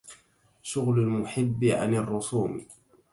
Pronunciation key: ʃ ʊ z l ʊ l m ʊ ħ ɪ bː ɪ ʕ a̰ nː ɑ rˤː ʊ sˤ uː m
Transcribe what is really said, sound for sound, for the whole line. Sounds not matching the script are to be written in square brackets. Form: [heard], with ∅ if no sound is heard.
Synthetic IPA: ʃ ʊ [ɣ] l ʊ l m ʊ ħ ɪ bː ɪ ʕ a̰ [n] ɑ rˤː ʊ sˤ uː m